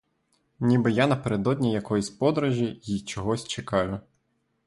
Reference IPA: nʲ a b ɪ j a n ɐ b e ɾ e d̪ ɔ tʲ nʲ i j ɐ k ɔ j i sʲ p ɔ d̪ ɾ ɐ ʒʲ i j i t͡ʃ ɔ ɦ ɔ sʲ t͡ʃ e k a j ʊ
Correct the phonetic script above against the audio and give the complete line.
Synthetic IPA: nʲ i b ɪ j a n ɐ p e ɾ e d̪ ɔ dʲ nʲ i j ɐ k ɔ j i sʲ p ɔ d̪ ɾ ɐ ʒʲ i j i t͡ʃ ɔ ɦ ɔ sʲ t͡ʃ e k ɑ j ʊ